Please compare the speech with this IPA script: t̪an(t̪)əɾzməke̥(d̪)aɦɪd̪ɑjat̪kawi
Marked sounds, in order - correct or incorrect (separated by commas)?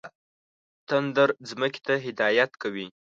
incorrect, incorrect